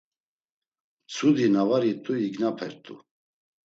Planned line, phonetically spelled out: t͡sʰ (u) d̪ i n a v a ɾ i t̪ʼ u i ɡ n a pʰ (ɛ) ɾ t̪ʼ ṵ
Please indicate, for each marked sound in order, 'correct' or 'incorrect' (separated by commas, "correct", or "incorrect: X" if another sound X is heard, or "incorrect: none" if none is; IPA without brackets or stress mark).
correct, correct